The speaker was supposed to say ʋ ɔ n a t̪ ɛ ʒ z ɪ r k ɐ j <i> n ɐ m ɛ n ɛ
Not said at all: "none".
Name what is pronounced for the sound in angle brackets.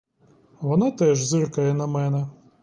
ɛ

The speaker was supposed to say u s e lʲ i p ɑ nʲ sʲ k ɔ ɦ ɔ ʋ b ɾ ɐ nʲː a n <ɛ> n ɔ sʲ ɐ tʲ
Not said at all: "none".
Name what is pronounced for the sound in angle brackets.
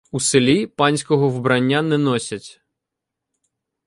ɛ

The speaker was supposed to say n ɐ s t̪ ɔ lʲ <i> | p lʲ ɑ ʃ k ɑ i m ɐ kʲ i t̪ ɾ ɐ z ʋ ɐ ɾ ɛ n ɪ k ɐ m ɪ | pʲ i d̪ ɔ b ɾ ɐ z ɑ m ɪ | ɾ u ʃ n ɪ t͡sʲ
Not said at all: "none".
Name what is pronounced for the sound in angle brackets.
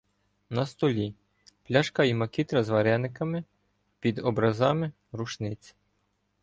i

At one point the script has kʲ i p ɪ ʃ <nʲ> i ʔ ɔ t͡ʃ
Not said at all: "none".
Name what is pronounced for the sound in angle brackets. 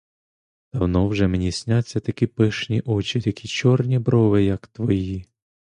nʲ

